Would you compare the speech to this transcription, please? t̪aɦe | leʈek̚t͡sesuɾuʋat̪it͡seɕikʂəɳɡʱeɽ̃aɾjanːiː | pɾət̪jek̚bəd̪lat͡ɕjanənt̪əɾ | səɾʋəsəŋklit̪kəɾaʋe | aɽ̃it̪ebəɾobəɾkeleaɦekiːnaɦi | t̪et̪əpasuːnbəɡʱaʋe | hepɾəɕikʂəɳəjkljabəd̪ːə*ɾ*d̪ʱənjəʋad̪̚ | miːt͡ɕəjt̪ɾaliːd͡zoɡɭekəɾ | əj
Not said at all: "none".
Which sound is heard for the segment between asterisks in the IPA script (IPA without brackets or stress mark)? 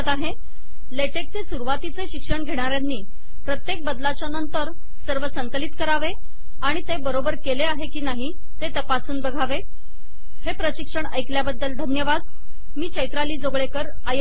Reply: l